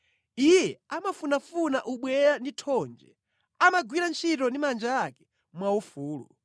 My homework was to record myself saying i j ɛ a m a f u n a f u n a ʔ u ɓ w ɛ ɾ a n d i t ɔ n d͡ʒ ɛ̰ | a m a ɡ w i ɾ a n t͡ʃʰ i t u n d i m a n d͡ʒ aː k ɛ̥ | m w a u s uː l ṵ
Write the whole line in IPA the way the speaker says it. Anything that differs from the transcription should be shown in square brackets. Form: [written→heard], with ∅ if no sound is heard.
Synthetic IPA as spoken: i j ɛ a m a f u n a f u n a ʔ u ɓ w ɛ ɾ a n d i [t→tʰ] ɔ n d͡ʒ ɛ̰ | a m a ɡ w i ɾ a n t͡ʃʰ i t [u→ɔ] n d i m a n d͡ʒ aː k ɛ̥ | m w a u [s→f] uː l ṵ